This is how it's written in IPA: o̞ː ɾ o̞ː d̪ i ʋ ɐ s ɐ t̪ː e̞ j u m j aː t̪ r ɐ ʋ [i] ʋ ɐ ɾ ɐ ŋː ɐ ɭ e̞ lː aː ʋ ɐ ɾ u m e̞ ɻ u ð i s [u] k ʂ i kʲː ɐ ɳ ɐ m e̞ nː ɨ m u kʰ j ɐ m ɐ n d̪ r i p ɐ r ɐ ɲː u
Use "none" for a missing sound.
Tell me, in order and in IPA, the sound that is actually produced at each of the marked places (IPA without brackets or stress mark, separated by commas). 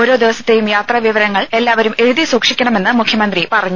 i, uː